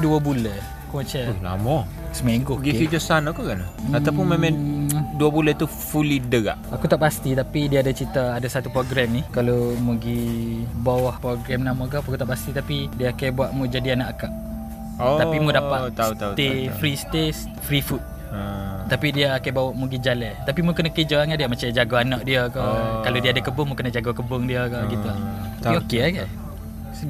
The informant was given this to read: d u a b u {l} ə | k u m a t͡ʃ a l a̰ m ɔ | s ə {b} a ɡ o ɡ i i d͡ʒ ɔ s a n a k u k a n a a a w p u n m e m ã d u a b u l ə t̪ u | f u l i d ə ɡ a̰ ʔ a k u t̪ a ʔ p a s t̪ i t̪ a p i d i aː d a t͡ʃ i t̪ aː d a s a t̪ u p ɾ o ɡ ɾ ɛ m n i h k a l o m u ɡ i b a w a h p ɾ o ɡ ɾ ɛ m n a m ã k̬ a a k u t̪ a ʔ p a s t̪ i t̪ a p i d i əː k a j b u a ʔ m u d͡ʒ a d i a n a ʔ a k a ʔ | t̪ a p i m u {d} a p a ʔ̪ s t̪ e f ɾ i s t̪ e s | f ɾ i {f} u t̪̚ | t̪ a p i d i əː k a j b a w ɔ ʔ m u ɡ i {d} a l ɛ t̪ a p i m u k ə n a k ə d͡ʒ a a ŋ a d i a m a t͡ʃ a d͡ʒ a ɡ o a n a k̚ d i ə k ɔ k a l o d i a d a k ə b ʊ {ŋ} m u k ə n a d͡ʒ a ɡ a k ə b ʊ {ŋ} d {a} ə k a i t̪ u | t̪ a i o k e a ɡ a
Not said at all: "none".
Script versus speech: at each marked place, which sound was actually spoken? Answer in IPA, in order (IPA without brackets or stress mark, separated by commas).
l, m, d, f, d͡ʒ, ŋ, ŋ, i